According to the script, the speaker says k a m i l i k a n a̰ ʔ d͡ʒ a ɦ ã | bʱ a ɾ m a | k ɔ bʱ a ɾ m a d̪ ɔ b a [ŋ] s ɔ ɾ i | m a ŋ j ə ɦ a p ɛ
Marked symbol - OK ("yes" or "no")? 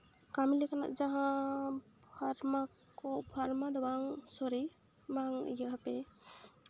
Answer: yes